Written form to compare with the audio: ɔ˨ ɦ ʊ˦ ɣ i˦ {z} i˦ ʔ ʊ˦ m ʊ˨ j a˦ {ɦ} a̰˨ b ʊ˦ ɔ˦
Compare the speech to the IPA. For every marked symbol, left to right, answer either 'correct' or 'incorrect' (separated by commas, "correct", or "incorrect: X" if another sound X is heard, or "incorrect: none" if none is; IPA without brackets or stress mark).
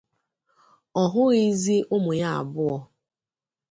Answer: correct, incorrect: none